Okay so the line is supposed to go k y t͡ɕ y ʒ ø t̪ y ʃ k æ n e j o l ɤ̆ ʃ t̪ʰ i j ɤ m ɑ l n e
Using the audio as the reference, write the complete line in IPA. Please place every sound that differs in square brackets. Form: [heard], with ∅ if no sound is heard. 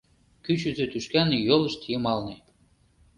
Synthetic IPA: k y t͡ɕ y [z] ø t̪ y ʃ k æ n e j o l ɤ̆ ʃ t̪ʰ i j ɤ m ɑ l n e